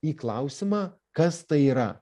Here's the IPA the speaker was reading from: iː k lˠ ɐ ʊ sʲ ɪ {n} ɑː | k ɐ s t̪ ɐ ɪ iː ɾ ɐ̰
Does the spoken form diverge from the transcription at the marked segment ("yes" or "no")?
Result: yes